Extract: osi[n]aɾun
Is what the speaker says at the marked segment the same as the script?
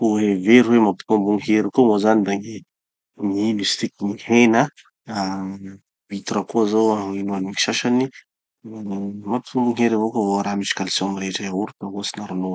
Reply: yes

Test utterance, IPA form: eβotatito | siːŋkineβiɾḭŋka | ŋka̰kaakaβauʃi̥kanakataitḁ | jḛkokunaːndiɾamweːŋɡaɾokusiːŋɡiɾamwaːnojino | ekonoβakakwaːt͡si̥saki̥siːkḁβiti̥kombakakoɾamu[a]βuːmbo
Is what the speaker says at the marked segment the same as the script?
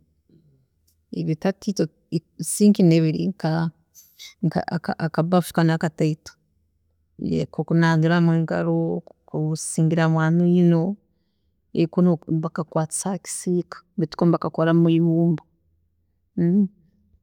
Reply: no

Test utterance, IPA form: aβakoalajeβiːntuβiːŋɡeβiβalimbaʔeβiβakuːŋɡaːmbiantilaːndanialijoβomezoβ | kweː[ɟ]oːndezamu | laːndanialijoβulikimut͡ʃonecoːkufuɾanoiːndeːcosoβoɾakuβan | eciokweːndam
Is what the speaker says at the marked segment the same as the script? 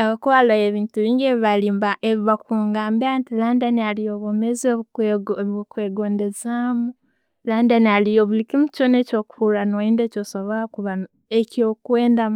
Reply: no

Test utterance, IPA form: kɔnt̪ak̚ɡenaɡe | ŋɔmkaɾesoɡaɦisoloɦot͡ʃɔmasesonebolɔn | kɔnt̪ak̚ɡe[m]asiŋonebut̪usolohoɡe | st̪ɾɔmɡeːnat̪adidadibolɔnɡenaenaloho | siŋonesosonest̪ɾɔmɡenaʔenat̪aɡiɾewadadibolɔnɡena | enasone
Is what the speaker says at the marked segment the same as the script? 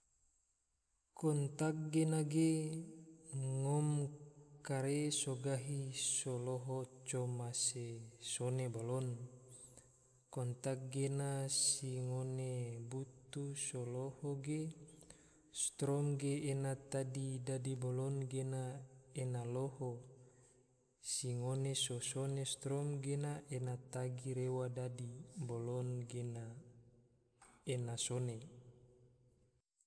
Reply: no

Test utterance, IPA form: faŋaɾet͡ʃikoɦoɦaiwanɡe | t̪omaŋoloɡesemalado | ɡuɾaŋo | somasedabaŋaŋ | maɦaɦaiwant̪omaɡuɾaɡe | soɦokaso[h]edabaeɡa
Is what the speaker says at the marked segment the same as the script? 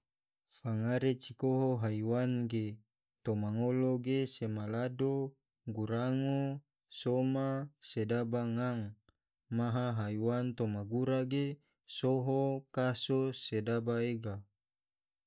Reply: no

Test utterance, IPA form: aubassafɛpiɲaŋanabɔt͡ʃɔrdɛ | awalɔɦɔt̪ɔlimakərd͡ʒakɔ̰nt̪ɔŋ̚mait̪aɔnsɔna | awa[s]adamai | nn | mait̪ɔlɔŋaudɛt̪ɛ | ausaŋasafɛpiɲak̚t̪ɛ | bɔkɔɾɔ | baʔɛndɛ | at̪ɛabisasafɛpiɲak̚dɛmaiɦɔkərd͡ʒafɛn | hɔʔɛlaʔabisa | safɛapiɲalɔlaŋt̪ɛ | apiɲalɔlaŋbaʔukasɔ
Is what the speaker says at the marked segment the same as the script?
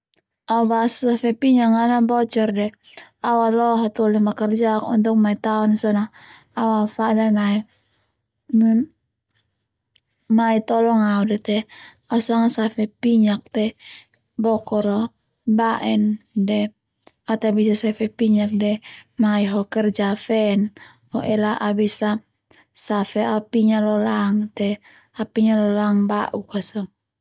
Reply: no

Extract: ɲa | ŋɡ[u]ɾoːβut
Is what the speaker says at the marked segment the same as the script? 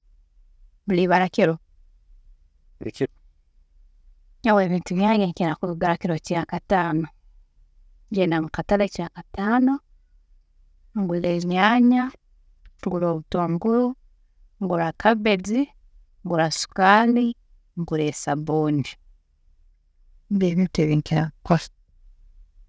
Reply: yes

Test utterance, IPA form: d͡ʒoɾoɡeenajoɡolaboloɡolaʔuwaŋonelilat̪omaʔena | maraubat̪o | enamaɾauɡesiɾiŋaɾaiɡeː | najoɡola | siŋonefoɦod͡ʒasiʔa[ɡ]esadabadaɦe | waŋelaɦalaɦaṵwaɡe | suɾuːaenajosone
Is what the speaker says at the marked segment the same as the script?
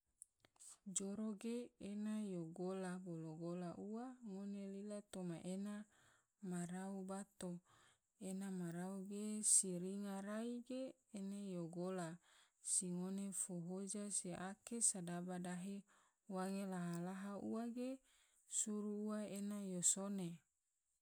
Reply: no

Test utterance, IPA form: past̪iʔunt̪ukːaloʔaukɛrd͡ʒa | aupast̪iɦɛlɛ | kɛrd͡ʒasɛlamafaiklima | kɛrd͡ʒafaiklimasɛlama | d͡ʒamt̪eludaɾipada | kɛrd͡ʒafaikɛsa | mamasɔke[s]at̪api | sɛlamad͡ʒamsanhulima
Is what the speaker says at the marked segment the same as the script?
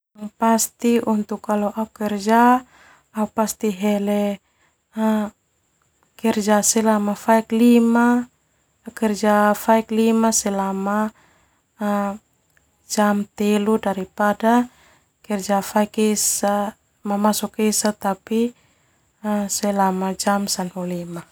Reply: yes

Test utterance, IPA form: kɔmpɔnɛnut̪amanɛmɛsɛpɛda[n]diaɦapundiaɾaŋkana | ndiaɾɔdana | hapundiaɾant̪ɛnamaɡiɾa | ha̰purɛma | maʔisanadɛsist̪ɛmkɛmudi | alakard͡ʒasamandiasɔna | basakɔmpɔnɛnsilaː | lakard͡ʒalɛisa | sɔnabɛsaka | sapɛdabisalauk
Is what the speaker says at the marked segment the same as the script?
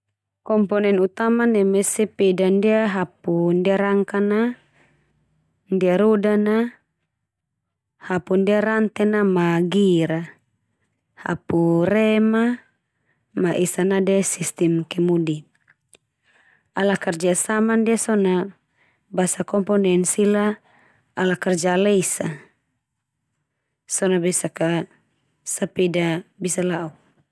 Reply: yes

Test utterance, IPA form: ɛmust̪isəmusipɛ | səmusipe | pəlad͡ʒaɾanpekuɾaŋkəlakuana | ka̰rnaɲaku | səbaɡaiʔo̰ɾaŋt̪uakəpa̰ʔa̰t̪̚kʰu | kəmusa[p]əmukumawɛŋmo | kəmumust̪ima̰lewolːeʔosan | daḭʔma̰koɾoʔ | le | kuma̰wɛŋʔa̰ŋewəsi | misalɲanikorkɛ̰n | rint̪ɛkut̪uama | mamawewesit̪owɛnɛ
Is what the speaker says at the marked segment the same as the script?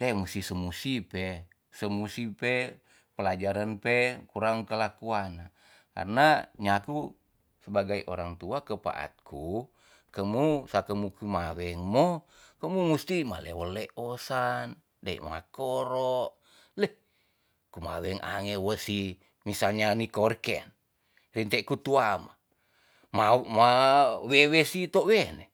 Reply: no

